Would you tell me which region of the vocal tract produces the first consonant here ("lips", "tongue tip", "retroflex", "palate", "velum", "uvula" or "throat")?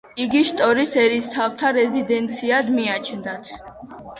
velum